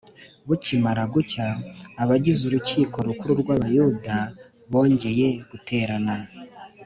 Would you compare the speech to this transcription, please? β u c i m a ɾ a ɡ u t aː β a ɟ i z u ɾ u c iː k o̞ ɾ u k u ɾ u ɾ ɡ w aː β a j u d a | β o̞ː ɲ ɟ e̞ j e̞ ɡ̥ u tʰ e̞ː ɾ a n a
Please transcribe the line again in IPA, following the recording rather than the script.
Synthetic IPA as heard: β u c i m a ɾ a ɡ u c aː β a ɟ i z u ɾ u c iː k o̞ ɾ u k u ɾ u ɾ ɡ w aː β a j u d a | β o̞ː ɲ ɟ e̞ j e̞ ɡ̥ u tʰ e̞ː ɾ a n a